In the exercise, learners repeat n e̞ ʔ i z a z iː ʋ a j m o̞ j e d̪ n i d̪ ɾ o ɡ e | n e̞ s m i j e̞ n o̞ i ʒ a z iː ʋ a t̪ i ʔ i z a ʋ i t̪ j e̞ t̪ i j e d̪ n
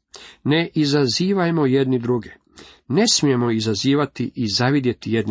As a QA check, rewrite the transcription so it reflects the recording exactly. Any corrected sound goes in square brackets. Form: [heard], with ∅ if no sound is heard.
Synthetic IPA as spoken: n e̞ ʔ i z a z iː ʋ a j m o̞ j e d̪ n i d̪ ɾ [u] ɡ e | n e̞ s m i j e̞ [m] o̞ i [z] a z iː ʋ a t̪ i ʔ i z a ʋ i [d̪] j e̞ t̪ i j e d̪ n